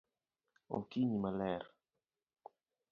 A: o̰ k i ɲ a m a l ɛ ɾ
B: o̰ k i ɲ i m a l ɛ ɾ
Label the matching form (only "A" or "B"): B